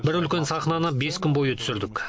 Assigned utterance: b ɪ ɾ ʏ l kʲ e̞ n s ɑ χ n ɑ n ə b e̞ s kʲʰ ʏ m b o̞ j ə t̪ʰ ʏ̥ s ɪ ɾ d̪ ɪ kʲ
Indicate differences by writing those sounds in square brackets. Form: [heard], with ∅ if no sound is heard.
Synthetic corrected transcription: b ɪ ɾ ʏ l kʲ e̞ n s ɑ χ n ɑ n ə b e̞ s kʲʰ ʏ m b o̞ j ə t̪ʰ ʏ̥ s ɪ ɾ d̪ ɪ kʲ